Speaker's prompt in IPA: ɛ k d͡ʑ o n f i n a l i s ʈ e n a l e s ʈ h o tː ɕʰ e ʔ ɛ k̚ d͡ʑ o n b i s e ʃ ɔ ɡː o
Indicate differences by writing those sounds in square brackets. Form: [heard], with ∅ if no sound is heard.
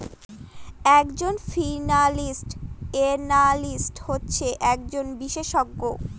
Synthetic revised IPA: ɛ k d͡ʑ o n f i n a l i s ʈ e n a l [i] s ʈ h o tː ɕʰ e ʔ ɛ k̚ d͡ʑ o n b i [ʃ] e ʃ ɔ ɡː o